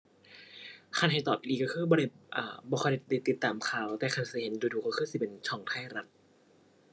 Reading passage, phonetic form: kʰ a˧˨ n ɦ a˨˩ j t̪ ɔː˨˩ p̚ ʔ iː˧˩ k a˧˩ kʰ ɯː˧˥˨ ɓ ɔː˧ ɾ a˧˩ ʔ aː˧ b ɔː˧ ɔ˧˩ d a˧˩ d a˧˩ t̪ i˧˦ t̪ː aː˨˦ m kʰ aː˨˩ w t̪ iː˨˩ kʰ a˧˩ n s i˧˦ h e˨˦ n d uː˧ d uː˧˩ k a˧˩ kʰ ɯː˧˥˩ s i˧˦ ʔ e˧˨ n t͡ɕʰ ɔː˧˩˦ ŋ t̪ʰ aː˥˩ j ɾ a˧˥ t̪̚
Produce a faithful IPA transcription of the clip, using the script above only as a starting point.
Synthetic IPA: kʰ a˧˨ n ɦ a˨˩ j t̪ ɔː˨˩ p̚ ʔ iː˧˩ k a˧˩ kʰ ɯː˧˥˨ b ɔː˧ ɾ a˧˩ ʔ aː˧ b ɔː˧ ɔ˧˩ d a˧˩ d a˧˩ t̪ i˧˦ t̪ː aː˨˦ m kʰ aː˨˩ w t̪ ɛː˨˩ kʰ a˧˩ n s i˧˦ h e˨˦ n d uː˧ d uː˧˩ k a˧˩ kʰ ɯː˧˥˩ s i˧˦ p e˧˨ n t͡ɕʰ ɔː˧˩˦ ŋ t̪ʰ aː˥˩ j ɾ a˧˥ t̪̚

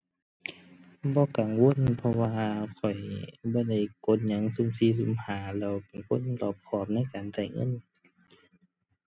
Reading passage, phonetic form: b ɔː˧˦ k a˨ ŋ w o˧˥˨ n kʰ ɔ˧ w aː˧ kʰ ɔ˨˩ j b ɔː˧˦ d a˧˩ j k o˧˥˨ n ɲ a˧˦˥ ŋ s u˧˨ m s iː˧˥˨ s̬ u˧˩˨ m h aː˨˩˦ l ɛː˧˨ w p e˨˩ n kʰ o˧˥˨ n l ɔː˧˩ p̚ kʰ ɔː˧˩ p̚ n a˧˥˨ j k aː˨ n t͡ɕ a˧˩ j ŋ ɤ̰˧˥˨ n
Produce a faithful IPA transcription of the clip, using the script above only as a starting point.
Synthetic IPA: b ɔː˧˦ k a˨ ŋ w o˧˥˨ n pʰ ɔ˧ w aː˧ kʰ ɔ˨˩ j b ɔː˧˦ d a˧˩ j k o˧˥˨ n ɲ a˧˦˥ ŋ s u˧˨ m s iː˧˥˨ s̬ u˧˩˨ m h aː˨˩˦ l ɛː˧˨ w p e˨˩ n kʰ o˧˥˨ n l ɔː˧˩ p̚ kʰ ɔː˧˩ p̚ n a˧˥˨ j k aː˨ n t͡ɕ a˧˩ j ŋ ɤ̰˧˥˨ n

